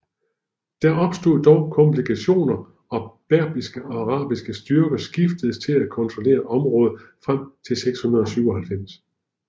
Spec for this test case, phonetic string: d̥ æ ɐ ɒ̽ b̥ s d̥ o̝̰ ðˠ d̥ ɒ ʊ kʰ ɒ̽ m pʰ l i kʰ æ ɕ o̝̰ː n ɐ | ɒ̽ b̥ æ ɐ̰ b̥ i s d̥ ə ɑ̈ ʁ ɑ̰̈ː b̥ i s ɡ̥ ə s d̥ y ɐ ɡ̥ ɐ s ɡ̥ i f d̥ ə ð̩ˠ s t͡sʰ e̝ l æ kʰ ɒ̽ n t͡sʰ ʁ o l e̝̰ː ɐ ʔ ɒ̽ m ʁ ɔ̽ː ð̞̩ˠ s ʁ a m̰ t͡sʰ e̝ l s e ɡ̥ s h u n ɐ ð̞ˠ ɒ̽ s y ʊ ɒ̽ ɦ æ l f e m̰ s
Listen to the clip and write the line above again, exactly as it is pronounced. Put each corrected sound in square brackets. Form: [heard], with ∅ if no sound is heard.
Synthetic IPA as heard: d̥ æ ɐ ɒ̽ b̥ s d̥ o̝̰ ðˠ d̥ ɒ ʊ kʰ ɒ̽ m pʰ l i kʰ æ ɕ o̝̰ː n ɐ | ɒ̽ b̥ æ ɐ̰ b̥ i s [ɡ̥] ə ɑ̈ ʁ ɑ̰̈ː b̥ i s ɡ̥ ə s d̥ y ɐ ɡ̥ ɐ s ɡ̥ i f d̥ ə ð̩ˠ s t͡sʰ e̝ l æ kʰ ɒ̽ n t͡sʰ ʁ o l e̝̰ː ɐ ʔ ɒ̽ m ʁ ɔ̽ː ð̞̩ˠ [f] ʁ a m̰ t͡sʰ e̝ l s e ɡ̥ s h u n ɐ ð̞ˠ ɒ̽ s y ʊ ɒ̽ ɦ æ l f e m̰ s